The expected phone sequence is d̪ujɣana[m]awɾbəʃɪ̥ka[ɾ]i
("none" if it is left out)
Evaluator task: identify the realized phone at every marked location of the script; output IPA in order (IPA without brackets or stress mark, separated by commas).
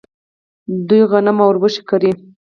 m, ɾ